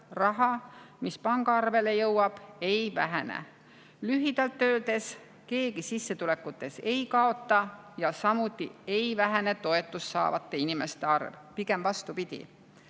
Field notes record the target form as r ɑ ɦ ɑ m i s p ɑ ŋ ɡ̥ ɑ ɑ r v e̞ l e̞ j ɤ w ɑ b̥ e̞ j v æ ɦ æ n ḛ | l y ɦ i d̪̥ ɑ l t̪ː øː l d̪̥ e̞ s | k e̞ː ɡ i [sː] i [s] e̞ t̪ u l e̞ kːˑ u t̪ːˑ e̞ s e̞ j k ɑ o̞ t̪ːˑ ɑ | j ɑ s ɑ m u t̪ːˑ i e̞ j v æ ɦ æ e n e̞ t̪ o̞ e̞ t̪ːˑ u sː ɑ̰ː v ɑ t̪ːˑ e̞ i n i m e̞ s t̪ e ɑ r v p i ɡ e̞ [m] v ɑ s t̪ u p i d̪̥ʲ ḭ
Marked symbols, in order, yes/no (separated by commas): no, no, yes